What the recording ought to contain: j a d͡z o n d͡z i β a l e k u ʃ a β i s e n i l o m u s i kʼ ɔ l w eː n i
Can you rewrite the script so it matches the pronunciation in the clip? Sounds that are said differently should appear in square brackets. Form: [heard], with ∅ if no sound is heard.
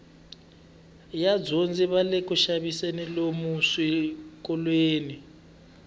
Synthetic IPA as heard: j a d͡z o n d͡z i β a l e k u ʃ a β i s e n i l o m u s i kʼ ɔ l w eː n i